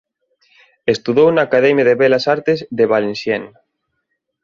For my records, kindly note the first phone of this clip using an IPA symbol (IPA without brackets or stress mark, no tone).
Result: e